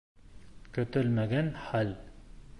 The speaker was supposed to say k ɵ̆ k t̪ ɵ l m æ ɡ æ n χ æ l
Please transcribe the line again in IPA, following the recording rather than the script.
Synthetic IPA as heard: k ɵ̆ t̪ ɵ l m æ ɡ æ n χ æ l